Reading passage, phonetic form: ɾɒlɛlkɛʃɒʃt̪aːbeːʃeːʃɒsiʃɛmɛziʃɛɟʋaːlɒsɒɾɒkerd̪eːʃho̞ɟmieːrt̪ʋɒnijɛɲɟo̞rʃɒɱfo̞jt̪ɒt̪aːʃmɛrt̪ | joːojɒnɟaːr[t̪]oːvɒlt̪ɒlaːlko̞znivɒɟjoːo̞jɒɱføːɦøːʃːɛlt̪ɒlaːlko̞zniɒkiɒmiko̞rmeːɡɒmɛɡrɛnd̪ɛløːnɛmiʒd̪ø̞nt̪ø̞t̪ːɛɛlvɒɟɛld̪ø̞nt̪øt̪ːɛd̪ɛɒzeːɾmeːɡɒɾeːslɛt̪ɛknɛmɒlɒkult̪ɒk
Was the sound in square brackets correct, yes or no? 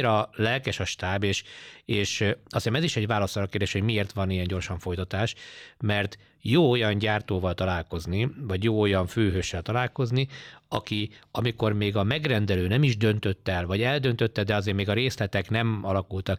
yes